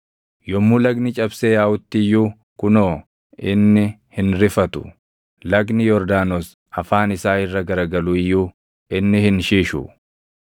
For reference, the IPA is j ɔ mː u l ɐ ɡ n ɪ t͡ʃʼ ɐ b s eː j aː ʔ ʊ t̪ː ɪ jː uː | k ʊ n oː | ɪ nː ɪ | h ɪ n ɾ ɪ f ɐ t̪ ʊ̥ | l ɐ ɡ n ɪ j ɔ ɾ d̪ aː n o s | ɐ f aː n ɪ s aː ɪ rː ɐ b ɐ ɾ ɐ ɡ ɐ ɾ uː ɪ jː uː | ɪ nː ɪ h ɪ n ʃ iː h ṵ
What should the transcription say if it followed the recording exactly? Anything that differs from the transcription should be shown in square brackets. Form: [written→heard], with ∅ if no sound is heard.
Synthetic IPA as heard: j ɔ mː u l ɐ ɡ n ɪ t͡ʃʼ ɐ b s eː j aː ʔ ʊ t̪ː ɪ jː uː | k ʊ n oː | ɪ nː ɪ | h ɪ n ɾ ɪ f ɐ t̪ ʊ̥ | l ɐ ɡ n ɪ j ɔ ɾ d̪ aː n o s | ɐ f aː n ɪ s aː ɪ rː ɐ [b→ɡ] ɐ ɾ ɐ ɡ ɐ [ɾ→l] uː ɪ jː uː | ɪ nː ɪ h ɪ n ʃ iː [h→ʃ] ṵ